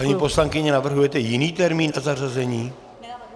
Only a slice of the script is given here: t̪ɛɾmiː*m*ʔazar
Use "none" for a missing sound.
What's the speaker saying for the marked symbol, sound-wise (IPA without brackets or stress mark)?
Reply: n